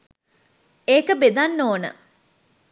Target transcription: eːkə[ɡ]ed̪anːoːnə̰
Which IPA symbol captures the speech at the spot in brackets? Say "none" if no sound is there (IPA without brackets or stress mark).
b